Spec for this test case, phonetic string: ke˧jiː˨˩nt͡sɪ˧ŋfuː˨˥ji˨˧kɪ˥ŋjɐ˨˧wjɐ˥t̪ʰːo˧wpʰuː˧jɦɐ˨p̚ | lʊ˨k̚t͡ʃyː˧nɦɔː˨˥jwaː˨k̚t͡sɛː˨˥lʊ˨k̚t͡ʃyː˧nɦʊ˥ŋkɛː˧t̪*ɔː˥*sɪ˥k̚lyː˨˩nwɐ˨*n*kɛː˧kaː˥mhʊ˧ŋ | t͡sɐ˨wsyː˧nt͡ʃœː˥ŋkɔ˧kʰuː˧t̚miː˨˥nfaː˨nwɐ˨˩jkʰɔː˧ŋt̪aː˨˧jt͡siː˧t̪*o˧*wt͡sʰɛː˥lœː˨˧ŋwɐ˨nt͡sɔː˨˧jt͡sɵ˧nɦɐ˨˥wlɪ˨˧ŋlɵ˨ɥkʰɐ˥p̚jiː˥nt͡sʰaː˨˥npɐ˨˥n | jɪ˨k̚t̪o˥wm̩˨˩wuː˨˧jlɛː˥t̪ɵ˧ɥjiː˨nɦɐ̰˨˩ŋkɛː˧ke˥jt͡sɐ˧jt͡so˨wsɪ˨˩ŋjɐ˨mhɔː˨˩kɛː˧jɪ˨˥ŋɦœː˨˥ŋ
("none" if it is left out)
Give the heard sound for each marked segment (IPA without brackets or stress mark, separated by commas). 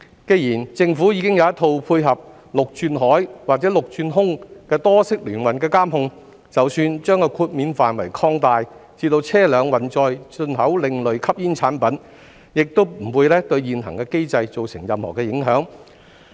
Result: ɔː˥, n, o˧